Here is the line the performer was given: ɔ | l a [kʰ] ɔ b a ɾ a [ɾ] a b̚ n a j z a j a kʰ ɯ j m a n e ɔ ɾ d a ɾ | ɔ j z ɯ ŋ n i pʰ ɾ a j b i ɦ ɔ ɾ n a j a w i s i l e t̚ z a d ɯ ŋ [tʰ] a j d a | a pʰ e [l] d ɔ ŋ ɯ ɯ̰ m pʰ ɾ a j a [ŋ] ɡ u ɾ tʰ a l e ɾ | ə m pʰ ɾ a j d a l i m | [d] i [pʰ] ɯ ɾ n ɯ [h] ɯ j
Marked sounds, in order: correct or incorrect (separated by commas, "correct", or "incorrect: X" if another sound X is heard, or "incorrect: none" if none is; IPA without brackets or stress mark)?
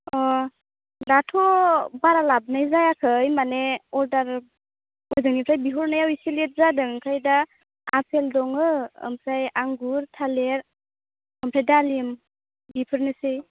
incorrect: tʰ, incorrect: l, incorrect: kʰ, correct, correct, incorrect: b, correct, incorrect: s